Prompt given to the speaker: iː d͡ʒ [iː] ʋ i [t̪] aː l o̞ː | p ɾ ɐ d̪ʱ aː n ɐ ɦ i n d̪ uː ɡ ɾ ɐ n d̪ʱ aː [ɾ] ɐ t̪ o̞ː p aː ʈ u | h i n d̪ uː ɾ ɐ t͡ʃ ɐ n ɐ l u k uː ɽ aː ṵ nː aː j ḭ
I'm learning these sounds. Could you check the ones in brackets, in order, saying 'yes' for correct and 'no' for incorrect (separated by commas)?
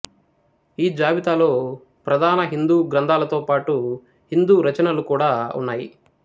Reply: no, yes, no